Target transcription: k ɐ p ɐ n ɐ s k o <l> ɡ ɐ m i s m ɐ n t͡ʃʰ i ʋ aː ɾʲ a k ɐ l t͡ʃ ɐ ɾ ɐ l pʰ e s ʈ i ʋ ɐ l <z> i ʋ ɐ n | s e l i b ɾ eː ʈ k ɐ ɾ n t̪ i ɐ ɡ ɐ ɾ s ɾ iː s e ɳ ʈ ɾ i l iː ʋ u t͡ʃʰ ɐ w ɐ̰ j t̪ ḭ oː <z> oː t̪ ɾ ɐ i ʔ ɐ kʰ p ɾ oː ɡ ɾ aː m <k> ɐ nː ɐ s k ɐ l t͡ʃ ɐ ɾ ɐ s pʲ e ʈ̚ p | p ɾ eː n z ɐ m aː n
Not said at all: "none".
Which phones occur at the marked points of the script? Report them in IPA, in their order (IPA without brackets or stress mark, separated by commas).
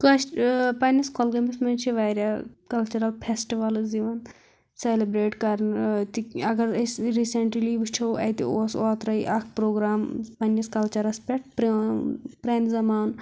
l, z, s, p